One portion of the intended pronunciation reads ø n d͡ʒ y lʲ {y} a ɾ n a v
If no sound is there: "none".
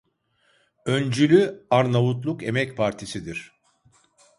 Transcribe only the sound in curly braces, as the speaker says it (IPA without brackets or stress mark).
y